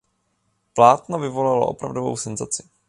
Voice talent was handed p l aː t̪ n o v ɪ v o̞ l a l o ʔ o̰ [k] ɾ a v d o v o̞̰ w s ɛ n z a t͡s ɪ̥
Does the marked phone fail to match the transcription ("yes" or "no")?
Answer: yes